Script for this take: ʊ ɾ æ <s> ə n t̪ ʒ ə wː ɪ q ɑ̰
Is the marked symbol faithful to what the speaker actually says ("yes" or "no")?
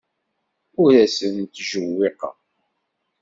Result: yes